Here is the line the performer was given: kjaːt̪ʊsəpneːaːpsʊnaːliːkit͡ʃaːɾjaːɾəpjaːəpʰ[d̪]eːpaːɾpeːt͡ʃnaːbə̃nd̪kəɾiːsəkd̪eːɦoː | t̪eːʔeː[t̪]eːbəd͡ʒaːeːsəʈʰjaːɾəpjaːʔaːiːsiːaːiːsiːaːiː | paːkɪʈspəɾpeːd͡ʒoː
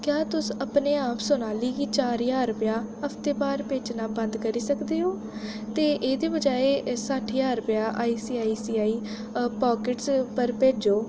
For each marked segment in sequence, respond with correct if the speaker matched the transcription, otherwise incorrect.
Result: incorrect: t̪, incorrect: d̪

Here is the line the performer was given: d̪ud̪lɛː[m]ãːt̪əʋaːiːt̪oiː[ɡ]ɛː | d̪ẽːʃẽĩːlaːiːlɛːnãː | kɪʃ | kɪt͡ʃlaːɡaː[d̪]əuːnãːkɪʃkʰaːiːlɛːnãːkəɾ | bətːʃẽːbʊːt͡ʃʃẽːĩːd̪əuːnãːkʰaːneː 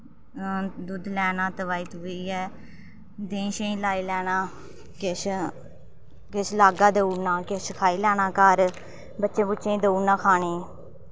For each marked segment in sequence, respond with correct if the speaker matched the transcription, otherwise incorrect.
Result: incorrect: n, incorrect: none, correct

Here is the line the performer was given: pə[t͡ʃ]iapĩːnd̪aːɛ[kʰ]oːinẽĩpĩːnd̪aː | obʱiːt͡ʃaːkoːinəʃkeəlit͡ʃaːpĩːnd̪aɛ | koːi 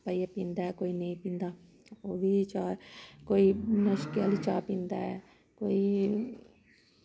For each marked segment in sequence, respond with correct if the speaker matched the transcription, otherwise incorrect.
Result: incorrect: none, incorrect: k

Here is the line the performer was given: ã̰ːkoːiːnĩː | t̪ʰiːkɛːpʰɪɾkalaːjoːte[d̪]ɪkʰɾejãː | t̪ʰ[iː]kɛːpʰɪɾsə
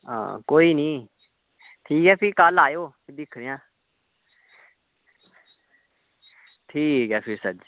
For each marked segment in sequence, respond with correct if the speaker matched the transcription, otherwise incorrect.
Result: correct, correct

